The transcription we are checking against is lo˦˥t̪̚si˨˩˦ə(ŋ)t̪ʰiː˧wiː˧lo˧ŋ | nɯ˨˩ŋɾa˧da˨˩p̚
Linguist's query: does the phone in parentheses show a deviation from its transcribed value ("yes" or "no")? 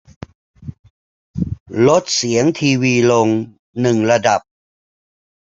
no